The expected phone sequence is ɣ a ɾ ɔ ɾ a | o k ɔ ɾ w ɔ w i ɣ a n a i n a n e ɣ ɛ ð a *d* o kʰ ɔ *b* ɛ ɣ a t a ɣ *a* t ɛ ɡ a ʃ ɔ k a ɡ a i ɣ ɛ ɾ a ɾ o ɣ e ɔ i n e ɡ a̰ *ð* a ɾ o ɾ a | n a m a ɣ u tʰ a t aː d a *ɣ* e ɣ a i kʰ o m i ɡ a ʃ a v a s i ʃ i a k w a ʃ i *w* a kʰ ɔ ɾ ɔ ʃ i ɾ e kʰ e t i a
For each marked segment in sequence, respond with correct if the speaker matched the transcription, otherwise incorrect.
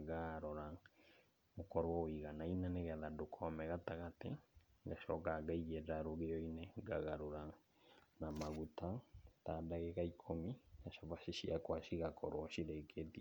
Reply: correct, incorrect: m, correct, incorrect: ɣ, correct, incorrect: ɣ

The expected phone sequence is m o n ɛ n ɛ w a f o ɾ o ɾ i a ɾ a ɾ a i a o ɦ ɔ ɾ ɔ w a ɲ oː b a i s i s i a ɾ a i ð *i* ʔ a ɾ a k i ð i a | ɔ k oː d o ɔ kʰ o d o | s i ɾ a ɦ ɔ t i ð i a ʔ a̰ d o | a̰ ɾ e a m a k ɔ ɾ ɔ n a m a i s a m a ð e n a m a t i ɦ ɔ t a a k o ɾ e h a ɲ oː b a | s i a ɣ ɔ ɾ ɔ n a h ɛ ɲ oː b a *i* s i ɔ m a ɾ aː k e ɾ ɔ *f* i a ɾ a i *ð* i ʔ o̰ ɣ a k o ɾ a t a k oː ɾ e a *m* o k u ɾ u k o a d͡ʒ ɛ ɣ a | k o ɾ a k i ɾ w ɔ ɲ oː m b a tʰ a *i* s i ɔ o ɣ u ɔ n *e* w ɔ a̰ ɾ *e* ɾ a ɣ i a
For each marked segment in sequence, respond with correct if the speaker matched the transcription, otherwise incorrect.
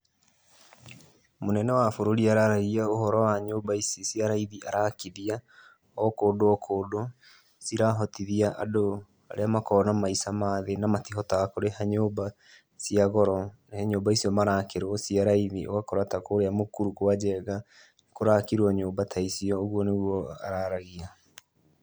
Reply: correct, correct, incorrect: s, correct, correct, correct, correct, incorrect: a

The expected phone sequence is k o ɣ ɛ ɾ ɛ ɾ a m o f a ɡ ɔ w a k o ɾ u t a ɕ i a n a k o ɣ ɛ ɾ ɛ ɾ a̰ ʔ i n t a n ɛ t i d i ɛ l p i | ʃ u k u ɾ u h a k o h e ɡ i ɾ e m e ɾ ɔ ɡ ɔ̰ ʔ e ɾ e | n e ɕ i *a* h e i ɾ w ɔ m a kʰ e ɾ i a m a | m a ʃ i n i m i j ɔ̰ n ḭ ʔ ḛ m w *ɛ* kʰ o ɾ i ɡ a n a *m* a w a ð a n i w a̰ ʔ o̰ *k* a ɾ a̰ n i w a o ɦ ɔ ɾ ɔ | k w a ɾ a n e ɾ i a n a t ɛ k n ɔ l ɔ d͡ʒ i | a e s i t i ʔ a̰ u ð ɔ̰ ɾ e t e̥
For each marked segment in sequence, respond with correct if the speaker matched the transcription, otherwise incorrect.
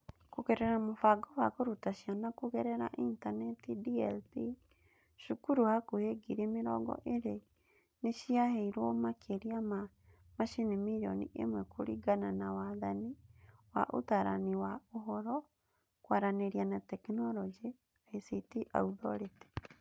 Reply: correct, correct, incorrect: n, incorrect: t

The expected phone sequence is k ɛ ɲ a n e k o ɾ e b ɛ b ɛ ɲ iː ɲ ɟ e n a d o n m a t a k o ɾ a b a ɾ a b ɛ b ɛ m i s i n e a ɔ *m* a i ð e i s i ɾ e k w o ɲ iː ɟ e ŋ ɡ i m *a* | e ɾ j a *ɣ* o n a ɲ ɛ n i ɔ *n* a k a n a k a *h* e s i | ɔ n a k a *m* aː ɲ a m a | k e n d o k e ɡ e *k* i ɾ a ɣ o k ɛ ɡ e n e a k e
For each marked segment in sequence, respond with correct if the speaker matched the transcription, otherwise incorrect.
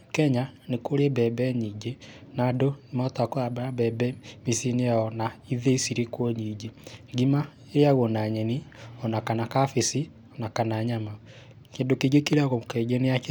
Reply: incorrect: n, correct, correct, correct, incorrect: f, incorrect: n, correct

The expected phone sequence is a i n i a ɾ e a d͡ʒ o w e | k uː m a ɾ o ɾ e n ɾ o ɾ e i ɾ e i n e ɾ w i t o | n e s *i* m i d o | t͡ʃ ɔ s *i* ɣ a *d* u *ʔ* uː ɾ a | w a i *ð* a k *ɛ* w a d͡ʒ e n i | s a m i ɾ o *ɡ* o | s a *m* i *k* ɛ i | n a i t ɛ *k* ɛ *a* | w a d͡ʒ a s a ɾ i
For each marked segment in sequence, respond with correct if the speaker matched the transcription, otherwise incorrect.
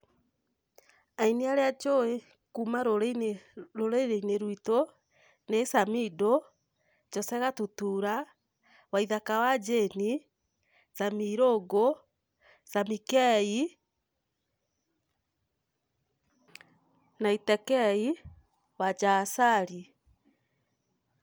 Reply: incorrect: a, incorrect: ɛ, incorrect: t, incorrect: t, correct, incorrect: a, correct, correct, correct, correct, incorrect: i

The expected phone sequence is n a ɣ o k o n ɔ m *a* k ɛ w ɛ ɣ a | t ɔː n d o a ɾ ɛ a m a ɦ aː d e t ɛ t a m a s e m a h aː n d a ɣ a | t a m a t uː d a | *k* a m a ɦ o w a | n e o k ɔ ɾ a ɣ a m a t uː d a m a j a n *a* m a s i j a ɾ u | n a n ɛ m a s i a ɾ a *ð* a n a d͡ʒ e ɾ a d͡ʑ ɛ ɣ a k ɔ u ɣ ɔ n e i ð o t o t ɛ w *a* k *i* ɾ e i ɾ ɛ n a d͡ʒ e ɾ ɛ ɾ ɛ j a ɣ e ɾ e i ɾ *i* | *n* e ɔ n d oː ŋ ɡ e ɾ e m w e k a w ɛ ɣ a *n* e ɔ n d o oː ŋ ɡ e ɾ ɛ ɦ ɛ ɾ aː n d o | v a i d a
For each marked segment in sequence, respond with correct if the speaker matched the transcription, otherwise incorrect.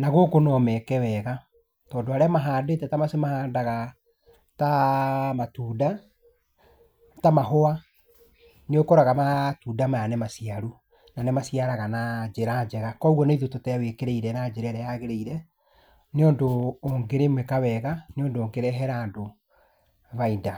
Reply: incorrect: ɛ, incorrect: t, incorrect: ɛ, incorrect: ɣ, incorrect: e, incorrect: e, incorrect: ɛ, correct, correct

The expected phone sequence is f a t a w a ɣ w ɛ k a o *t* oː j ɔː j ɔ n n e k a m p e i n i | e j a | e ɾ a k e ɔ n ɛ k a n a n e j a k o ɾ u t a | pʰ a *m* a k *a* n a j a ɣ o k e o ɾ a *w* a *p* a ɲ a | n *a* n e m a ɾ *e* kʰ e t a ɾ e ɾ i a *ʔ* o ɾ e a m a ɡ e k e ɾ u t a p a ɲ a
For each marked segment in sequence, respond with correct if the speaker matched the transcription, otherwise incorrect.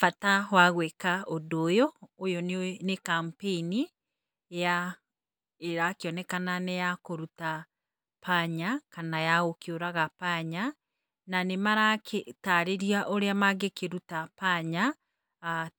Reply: incorrect: d, incorrect: ɲ, correct, incorrect: ɣ, correct, correct, incorrect: a, correct

